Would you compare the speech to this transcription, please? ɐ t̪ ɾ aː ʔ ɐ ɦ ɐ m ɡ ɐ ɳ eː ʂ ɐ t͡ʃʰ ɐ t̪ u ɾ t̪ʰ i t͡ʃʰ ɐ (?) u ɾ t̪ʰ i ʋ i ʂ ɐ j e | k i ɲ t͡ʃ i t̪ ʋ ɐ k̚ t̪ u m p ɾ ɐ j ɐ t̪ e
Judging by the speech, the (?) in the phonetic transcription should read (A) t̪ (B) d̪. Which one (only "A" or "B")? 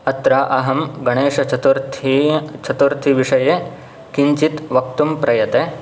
A